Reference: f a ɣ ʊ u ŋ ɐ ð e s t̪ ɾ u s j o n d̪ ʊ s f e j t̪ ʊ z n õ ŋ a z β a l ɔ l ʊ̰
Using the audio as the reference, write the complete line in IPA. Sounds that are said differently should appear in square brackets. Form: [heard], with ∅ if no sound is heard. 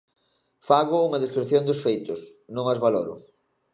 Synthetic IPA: f a ɣ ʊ u ŋ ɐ ð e s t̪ ɾ u [θ] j o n d̪ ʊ s f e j t̪ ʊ [s] n õ ŋ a z β a l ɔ [ɾ] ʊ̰